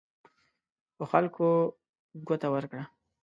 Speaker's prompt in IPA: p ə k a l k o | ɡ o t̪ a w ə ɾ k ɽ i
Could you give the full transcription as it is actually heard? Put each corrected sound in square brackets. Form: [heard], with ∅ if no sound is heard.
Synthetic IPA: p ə [x] a l k o | ɡ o t̪ a w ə ɾ k ɽ [a]